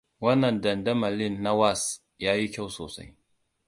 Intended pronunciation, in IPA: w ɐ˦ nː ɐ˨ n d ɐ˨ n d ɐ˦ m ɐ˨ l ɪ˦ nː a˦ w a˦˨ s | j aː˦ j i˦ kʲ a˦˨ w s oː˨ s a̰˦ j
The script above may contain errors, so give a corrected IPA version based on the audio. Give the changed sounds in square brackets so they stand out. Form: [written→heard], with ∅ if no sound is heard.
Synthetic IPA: w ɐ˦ nː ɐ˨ n d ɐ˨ n d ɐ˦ m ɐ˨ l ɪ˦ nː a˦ w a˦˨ s | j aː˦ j i˦ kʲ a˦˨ w s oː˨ s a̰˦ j